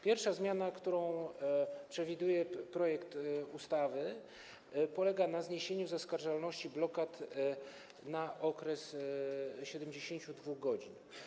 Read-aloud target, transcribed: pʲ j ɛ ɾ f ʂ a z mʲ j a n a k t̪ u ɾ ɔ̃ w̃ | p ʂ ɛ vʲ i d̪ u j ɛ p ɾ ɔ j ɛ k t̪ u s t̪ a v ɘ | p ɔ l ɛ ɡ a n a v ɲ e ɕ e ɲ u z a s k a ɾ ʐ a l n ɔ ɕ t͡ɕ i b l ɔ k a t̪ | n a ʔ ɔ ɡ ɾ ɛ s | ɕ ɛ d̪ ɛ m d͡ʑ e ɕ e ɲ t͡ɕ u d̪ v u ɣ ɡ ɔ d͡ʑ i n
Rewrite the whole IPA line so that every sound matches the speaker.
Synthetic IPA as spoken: pʲ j ɛ ɾ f ʂ a z mʲ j a n a k t̪ u ɾ ɔ̃ w̃ | p ʂ ɛ vʲ i d̪ u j ɛ p ɾ ɔ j ɛ k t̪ u s t̪ a v ɘ | p ɔ l ɛ ɡ a n a z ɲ e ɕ e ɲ u z a s k a ɾ ʐ a l n ɔ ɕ t͡ɕ i b l ɔ k a t̪ | n a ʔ ɔ k ɾ ɛ s | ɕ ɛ d̪ ɛ m d͡ʑ e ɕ e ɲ t͡ɕ u d̪ v u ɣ ɡ ɔ d͡ʑ i n